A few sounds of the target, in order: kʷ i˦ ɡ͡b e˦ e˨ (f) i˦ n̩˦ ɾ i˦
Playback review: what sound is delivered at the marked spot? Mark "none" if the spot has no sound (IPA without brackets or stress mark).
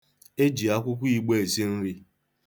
s